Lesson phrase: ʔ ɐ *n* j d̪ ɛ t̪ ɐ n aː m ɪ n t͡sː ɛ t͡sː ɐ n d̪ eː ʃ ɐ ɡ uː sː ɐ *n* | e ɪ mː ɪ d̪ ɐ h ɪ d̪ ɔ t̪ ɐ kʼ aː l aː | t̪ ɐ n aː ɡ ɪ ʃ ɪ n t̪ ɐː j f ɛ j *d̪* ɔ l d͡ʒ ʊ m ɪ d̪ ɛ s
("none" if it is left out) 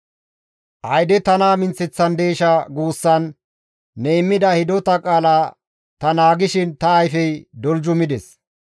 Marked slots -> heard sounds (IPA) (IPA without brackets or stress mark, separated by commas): none, nː, d̪